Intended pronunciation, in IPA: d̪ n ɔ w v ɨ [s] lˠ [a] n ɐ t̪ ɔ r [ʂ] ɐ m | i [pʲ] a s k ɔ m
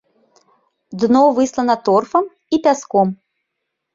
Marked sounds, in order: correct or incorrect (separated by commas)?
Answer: correct, incorrect, incorrect, correct